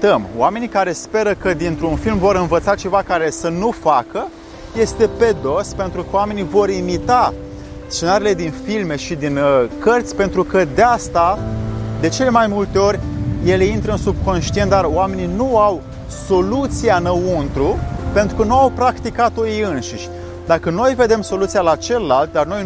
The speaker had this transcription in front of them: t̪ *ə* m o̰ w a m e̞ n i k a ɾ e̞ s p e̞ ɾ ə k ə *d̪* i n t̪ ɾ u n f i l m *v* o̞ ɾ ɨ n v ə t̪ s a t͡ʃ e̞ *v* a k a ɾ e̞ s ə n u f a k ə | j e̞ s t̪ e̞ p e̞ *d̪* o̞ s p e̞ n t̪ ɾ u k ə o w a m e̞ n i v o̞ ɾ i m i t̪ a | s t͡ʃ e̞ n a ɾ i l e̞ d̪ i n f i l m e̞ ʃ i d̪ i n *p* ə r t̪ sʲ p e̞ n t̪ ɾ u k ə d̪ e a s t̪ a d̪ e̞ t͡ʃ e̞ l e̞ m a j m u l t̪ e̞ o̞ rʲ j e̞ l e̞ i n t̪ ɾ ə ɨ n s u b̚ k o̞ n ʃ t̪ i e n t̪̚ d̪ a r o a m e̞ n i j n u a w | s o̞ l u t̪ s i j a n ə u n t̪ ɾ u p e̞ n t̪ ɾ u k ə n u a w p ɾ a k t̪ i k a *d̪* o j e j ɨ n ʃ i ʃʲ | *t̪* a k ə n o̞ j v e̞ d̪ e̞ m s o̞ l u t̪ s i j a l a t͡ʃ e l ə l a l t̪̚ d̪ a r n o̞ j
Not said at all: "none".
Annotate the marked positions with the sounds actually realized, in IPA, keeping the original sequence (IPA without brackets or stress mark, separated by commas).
ə, d̪, v, v, d̪, k, t̪, d̪